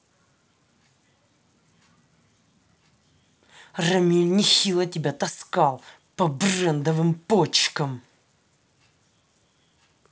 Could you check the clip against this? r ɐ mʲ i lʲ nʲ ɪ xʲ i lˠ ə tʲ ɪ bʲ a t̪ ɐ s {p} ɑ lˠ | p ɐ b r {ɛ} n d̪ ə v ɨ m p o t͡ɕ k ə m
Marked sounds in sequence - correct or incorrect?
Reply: incorrect: k, correct

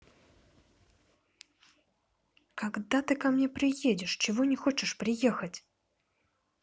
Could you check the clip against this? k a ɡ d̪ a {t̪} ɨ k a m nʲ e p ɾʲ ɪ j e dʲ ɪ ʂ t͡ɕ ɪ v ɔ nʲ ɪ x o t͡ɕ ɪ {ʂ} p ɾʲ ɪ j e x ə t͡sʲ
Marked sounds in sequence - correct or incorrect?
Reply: correct, correct

